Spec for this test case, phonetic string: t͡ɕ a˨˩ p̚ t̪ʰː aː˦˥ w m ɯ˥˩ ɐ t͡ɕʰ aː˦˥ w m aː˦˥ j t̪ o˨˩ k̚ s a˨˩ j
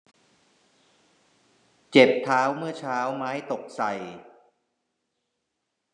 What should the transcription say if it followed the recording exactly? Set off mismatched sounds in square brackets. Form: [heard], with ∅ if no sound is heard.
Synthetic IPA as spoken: t͡ɕ [e˨˩] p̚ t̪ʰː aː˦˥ w m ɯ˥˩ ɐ t͡ɕʰ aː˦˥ w m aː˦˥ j t̪ o˨˩ k̚ s a˨˩ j